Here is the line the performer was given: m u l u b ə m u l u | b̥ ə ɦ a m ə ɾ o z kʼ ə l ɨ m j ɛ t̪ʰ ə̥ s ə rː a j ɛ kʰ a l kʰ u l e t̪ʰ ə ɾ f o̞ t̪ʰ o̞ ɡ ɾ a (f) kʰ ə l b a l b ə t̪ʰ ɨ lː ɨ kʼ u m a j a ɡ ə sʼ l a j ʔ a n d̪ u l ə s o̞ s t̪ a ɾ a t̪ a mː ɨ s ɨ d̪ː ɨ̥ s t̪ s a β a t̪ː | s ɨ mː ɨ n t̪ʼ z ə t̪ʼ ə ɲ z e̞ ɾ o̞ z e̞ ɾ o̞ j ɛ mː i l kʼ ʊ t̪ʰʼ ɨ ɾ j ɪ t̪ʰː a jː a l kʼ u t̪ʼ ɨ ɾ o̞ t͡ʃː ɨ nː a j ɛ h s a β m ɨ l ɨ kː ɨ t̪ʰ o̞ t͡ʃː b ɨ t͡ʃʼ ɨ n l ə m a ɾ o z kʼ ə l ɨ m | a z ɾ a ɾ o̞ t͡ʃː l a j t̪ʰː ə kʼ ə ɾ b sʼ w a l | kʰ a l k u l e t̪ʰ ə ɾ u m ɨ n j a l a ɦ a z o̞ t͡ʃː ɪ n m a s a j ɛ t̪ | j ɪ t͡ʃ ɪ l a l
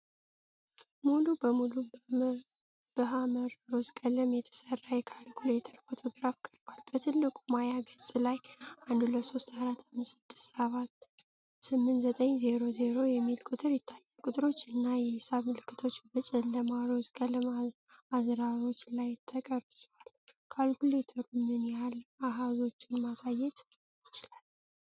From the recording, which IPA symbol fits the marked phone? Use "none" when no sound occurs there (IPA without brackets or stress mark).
f